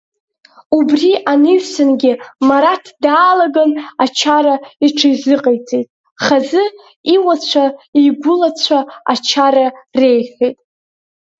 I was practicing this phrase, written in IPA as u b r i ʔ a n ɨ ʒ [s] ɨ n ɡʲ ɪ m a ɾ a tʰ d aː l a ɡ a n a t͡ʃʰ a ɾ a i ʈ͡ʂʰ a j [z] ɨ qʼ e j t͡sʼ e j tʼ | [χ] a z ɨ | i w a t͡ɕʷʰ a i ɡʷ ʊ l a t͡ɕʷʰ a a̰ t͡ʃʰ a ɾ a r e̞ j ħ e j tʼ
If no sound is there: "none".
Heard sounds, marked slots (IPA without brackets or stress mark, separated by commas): s, z, χ